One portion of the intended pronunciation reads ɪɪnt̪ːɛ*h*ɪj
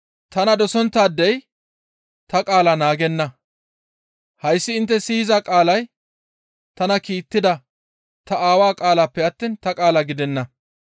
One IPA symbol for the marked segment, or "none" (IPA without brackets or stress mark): s